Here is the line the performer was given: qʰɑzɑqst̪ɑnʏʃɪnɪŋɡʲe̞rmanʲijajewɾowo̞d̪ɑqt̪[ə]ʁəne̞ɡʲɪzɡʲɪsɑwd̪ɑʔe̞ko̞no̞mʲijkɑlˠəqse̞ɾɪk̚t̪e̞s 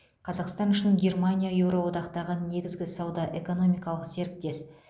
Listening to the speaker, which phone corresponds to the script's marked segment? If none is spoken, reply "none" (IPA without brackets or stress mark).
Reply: ɑ